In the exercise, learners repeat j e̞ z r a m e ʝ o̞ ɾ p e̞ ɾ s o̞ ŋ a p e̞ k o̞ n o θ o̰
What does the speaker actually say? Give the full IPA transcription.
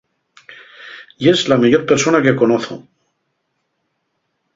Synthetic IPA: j e̞ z l a m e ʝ o̞ ɾ p e̞ ɾ s o̞ n a k e̞ k o̞ n o θ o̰